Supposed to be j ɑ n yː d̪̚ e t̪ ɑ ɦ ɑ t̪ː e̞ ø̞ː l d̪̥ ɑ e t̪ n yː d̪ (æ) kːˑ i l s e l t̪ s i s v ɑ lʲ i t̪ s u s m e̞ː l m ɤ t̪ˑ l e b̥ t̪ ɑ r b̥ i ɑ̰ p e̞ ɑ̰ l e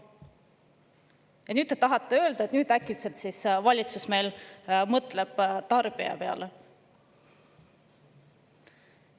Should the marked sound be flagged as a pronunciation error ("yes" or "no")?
no